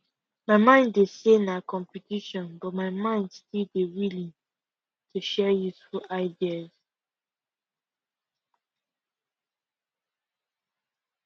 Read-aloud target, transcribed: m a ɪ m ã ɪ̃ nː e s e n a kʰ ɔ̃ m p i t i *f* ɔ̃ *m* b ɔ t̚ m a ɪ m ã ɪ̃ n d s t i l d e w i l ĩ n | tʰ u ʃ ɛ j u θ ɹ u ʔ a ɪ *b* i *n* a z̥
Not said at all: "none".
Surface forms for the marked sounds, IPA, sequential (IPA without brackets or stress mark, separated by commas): ʃ, n, d, none